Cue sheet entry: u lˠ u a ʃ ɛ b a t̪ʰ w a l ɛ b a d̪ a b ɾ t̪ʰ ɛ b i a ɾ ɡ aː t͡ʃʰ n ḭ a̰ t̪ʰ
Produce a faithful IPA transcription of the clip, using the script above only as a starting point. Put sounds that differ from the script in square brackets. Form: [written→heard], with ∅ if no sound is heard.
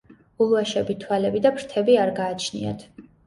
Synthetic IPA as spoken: u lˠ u a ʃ ɛ b [a→i] t̪ʰ w a l ɛ b [a→i] d̪ a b ɾ t̪ʰ ɛ b i a ɾ ɡ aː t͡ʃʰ n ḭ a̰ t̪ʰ